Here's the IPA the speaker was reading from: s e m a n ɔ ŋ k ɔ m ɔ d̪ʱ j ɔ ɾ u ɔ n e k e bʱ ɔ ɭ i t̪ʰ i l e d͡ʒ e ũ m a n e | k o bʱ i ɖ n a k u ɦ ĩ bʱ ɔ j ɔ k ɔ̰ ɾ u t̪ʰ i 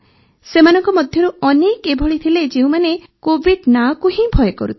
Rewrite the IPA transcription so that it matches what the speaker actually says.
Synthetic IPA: s e m a n ɔ ŋ k ɔ m ɔ d̪ʱ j ɔ ɾ u ɔ n e k e bʱ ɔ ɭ i t̪ʰ i l e d͡ʒ e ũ m a n e | k o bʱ i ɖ n a k u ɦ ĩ bʱ ɔ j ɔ k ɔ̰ ɾ u t̪ʰ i